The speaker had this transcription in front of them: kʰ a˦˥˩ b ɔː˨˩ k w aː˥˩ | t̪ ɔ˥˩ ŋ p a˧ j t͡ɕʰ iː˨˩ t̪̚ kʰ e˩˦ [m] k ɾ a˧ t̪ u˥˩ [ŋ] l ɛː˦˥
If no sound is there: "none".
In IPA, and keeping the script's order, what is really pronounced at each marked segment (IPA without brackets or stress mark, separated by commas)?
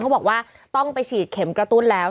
m, n